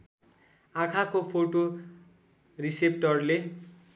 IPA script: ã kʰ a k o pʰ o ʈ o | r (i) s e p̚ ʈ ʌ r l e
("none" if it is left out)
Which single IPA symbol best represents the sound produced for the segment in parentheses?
i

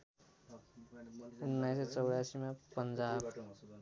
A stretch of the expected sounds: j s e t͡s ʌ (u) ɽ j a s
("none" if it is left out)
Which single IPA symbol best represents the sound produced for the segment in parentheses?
w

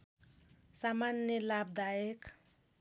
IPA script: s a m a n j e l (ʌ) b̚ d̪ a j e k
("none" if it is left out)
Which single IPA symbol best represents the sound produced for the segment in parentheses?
a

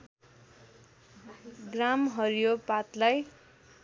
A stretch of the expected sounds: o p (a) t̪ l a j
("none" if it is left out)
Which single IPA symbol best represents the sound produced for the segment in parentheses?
a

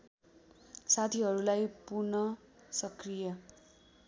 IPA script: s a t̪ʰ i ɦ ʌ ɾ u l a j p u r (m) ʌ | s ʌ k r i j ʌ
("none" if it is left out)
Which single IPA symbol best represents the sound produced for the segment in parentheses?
n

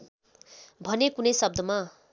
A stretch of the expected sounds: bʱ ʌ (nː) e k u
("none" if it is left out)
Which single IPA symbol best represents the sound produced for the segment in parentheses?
n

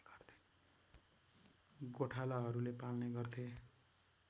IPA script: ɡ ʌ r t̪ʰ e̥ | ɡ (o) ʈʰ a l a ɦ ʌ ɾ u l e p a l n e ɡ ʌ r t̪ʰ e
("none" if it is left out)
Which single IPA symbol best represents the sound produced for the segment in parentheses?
o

